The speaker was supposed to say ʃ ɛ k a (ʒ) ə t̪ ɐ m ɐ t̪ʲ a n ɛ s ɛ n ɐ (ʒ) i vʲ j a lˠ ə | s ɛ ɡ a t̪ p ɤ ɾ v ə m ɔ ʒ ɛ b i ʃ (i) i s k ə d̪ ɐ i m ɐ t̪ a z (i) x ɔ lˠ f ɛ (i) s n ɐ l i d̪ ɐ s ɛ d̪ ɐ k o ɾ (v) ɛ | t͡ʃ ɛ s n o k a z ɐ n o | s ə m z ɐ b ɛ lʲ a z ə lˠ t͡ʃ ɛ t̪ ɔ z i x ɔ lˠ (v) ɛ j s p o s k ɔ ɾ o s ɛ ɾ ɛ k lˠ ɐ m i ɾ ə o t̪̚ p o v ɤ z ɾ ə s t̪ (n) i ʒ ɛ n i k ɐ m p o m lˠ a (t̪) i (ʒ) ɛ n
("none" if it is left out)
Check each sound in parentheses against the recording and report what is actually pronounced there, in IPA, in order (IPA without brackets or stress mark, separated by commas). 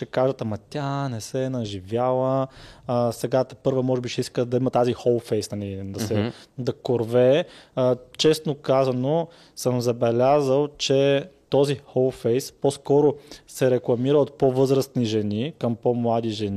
ʒ, ʒ, ɛ, i, j, v, f, n, d̪, ʒ